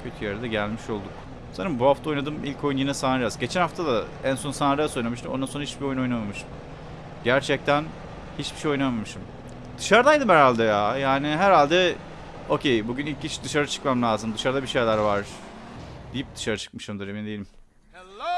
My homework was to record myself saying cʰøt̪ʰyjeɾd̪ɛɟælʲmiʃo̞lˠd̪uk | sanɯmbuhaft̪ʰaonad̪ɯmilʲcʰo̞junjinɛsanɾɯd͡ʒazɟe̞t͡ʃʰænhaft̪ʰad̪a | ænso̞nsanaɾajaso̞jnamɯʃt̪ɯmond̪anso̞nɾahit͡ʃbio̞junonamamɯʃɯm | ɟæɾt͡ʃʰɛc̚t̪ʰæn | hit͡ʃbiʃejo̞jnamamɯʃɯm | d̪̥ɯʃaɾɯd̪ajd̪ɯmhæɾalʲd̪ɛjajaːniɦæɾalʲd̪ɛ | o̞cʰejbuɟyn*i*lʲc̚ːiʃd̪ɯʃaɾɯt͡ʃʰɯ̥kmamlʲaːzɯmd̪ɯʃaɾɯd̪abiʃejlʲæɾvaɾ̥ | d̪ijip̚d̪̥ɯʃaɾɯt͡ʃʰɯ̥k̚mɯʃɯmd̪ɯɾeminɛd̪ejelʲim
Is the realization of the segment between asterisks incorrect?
no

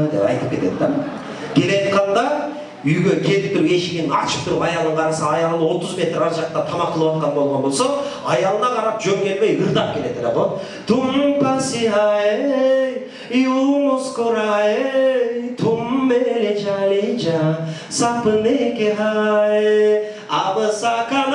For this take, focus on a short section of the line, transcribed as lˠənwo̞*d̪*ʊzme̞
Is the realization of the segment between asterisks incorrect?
yes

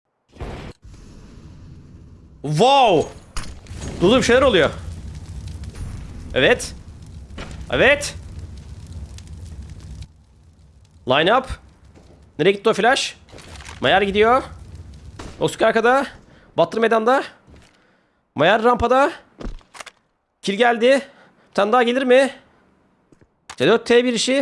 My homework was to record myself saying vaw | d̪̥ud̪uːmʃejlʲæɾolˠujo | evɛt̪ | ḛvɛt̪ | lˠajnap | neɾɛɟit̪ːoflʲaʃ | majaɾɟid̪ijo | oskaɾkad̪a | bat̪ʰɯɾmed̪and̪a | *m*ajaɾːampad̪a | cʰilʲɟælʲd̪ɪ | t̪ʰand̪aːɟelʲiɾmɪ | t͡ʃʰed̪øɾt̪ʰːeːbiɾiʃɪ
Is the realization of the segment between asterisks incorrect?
no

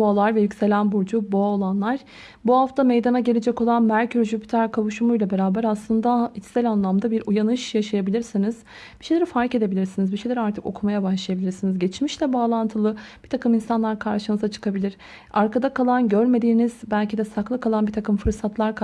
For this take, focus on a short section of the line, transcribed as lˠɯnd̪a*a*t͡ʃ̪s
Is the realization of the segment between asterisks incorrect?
yes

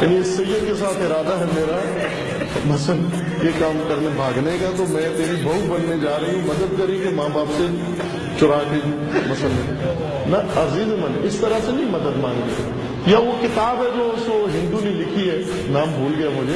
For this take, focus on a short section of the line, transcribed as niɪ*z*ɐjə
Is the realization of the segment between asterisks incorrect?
yes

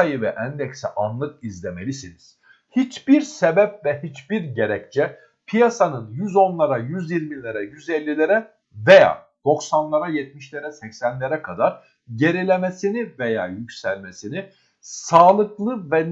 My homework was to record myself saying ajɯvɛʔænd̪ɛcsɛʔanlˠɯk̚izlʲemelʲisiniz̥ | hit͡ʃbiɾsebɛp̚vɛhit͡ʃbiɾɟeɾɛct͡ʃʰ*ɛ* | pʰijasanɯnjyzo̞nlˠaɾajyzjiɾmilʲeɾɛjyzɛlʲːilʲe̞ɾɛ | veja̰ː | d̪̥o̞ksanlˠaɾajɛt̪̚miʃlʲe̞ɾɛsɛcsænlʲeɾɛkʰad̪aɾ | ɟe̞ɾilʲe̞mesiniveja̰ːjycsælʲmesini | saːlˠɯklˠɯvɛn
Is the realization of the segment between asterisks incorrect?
no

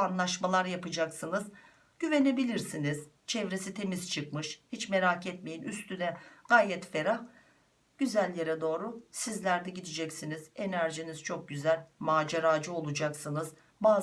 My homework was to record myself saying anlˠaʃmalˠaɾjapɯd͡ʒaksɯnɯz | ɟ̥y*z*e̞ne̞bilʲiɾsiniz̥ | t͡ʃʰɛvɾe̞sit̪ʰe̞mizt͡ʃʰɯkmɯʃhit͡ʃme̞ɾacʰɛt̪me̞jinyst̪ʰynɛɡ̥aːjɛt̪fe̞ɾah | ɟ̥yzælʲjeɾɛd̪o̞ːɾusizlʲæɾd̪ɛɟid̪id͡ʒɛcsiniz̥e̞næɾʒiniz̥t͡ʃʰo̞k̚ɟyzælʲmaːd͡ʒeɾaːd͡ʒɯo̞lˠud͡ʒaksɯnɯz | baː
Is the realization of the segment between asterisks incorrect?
yes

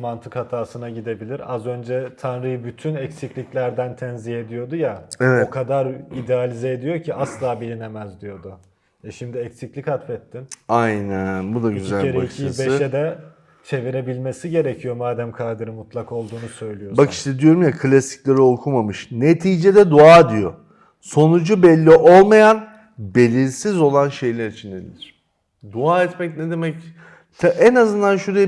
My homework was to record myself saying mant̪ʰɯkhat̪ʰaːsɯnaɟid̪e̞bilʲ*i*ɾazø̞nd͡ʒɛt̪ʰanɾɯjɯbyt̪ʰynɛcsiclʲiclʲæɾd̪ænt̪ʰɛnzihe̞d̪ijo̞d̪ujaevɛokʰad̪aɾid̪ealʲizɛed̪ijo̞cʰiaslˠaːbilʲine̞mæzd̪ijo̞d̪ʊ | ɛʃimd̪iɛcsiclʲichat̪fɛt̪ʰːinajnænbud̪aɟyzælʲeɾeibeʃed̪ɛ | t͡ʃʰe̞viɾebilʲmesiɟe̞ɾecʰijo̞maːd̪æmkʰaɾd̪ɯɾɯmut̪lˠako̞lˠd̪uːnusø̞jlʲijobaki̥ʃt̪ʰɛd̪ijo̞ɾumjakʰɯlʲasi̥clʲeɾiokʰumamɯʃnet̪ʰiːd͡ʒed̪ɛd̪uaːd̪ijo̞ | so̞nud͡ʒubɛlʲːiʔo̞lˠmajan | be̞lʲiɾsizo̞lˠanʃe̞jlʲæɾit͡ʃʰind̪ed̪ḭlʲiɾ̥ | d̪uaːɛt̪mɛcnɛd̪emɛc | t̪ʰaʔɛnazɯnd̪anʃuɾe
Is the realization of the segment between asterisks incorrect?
no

